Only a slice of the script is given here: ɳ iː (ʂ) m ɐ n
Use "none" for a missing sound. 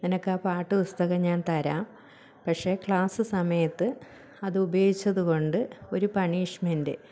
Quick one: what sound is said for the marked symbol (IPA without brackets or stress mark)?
ʂ